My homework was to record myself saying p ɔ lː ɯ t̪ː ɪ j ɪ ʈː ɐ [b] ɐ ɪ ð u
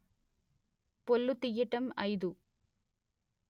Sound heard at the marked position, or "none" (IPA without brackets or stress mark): m